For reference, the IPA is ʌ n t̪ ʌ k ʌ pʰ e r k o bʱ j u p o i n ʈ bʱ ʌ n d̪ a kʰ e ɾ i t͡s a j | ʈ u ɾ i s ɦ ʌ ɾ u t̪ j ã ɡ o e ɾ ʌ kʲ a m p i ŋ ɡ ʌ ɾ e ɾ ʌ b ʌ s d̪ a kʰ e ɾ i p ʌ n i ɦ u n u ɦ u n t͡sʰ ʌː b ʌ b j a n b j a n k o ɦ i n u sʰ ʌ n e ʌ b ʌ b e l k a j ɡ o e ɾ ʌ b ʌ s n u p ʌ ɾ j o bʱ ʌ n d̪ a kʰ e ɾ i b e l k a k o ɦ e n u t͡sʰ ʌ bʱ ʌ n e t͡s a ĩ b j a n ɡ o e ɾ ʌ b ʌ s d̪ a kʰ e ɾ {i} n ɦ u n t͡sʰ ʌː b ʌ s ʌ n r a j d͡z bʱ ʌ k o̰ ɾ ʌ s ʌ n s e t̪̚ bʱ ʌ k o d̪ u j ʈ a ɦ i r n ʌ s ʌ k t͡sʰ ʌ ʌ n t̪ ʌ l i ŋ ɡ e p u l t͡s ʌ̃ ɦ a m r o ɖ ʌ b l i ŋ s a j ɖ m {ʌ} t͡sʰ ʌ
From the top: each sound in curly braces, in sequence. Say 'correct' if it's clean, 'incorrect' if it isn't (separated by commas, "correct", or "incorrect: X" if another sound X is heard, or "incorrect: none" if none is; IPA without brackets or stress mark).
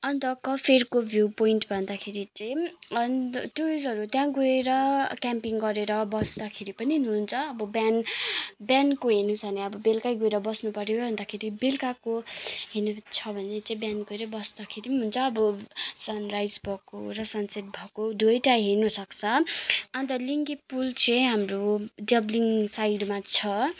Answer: correct, incorrect: a